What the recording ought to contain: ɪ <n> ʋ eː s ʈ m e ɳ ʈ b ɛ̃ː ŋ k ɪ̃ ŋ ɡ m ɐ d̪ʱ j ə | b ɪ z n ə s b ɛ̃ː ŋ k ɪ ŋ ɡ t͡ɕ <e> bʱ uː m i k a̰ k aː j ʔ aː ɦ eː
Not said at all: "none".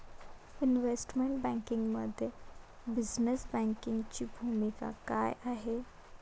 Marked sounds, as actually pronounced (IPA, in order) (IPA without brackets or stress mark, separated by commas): n, i